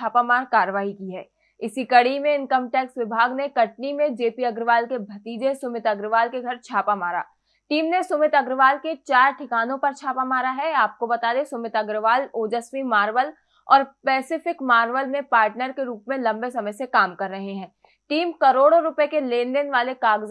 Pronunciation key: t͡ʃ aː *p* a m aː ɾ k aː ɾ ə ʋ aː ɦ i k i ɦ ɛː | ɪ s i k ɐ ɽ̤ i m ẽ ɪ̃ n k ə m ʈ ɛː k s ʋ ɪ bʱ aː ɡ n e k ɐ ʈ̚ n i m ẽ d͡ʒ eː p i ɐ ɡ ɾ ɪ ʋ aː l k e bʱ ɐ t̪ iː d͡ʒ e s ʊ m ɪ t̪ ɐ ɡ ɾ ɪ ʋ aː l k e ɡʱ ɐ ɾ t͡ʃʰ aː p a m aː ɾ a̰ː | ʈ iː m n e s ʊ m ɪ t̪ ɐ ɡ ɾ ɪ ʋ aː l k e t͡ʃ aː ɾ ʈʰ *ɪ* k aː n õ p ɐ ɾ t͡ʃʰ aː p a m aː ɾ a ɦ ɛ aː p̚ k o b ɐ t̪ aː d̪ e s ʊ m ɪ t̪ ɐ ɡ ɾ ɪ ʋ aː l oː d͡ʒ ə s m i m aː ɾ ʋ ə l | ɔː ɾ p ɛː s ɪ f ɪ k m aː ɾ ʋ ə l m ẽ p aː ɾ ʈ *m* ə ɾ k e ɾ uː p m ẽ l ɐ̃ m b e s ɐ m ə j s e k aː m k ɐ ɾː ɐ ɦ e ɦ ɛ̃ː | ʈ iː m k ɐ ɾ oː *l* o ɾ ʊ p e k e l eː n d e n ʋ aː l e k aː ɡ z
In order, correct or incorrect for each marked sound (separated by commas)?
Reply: correct, correct, incorrect, incorrect